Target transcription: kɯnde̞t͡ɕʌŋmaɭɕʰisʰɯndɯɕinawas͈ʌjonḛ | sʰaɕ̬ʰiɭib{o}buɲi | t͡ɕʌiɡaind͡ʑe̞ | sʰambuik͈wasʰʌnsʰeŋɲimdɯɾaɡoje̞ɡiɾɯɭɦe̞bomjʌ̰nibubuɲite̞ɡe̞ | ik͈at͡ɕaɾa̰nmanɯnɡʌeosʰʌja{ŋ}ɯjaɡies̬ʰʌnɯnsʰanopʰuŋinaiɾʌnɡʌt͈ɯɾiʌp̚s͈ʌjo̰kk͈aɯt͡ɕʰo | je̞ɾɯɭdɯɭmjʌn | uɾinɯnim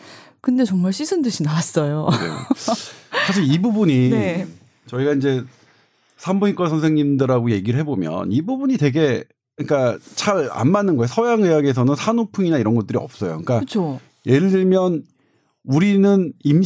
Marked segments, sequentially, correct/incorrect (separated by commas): incorrect, correct